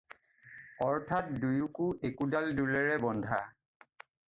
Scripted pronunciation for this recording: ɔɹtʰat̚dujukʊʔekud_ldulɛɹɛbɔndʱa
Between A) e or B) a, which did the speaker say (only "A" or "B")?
B